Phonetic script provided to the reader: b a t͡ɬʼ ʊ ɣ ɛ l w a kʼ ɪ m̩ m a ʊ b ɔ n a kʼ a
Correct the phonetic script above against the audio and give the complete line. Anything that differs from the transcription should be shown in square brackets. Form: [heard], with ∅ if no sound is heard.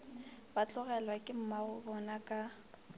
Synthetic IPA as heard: b a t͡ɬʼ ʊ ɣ ɛ l w a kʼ ɪ m̩ m a ʊ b ɔ n a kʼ a